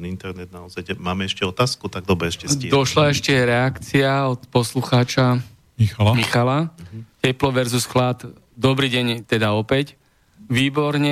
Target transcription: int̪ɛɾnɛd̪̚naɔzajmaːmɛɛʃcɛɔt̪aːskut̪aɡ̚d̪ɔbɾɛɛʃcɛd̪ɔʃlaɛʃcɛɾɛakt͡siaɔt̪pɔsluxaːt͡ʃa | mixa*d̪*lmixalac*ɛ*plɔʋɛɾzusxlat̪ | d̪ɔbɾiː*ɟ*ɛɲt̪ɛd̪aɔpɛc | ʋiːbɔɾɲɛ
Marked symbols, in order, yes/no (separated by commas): no, yes, yes